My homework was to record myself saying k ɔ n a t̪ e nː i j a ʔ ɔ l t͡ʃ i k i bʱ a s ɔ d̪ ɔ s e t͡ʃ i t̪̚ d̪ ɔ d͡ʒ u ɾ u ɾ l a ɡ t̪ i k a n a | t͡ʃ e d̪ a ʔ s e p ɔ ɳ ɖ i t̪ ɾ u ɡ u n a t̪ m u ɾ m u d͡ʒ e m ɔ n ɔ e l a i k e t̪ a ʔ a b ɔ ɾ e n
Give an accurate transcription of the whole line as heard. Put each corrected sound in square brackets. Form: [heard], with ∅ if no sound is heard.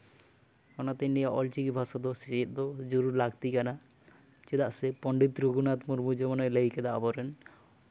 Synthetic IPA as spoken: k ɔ n a t̪ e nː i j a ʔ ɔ l t͡ʃ i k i bʱ a s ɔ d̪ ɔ s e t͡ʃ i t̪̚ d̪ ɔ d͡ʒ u ɾ u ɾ l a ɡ t̪ i k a n a | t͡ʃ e d̪ a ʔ s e p ɔ ɳ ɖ i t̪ ɾ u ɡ u n a t̪ m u ɾ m u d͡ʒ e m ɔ n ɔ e l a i k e [d̪] a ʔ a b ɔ ɾ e n

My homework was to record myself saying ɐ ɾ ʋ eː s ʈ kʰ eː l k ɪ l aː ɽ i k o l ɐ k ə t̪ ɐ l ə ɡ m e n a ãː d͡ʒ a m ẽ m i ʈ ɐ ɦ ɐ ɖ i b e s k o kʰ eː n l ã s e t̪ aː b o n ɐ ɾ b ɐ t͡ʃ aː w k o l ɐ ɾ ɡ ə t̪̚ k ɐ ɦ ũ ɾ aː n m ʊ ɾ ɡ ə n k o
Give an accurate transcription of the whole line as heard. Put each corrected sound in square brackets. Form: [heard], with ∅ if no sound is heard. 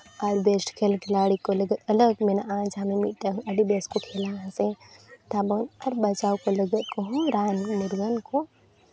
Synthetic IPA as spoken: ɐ ɾ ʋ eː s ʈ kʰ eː l k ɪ l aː ɽ i k o l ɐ [ɡ] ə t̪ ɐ l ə ɡ m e n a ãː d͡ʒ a m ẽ m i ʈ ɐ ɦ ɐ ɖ i b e s k o kʰ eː [∅] l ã s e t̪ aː b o n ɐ ɾ b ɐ t͡ʃ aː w k o l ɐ [∅] ɡ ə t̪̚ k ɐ ɦ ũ ɾ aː n m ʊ ɾ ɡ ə n k o

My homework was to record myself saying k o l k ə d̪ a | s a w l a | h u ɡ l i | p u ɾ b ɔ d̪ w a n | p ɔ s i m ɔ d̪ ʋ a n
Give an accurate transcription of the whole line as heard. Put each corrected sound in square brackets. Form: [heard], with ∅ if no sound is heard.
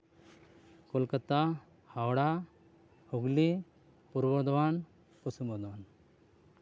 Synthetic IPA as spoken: k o l k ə [t̪] a | [h] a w [ɽ] a | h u ɡ l i | p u ɾ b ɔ d̪ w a n | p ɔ s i m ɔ d̪ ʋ a n

